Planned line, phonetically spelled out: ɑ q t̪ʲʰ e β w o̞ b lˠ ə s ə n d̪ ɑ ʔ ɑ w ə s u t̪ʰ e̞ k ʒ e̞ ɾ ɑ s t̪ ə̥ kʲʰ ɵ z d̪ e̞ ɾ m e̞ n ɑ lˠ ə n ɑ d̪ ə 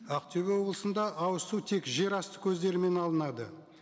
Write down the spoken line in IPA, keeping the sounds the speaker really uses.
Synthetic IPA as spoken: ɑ q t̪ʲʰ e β w o̞ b lˠ ə s ə n d̪ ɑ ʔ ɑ w ə s u t̪ʰ e̞ k ʒ e̞ ɾ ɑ s t̪ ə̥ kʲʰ ɵ z d̪ e̞ ɾ m e̞ n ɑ lˠ ə n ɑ d̪ ə